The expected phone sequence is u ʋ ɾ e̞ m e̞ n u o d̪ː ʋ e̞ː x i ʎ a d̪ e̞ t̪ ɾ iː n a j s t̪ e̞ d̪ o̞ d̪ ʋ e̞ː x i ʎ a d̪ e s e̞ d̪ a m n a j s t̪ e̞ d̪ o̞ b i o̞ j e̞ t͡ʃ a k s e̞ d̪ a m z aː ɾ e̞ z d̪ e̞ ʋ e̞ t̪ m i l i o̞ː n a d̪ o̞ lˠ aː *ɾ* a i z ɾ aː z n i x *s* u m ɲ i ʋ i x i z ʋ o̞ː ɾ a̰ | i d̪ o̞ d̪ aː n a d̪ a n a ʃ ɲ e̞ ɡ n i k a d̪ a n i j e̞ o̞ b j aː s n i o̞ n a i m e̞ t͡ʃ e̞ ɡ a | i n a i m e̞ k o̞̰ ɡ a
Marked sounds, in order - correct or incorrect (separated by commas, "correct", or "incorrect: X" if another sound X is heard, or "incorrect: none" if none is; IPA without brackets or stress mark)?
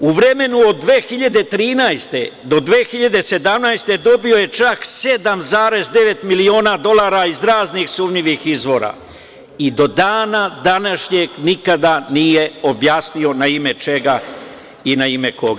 correct, correct